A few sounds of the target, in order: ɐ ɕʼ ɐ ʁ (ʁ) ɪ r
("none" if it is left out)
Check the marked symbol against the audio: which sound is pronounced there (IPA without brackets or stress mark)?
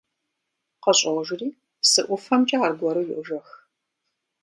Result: ʒ